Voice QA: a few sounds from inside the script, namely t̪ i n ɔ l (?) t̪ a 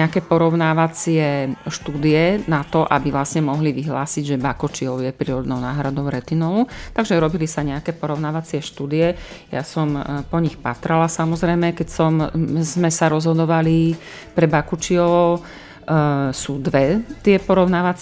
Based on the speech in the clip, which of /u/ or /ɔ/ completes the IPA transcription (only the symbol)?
u